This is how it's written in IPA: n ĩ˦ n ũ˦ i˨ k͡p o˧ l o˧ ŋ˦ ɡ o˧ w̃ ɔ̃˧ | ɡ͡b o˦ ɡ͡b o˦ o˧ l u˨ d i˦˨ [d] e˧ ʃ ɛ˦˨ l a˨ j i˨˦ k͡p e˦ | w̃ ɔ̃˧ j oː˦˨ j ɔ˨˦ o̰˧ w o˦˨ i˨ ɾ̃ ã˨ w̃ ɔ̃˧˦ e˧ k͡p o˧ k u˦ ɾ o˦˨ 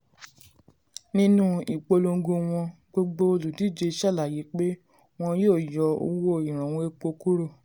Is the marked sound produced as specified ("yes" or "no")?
no